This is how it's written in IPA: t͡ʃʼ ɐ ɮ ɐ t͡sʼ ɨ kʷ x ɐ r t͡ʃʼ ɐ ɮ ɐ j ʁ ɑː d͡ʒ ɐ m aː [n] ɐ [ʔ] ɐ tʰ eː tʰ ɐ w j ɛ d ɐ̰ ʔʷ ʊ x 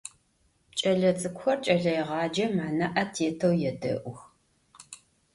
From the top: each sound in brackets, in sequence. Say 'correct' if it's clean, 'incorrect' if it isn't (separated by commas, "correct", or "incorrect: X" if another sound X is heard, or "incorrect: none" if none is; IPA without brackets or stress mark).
correct, correct